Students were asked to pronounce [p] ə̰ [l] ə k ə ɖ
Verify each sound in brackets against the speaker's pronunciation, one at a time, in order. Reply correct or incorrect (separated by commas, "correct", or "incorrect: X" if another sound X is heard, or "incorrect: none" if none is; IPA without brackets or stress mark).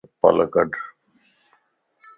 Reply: correct, correct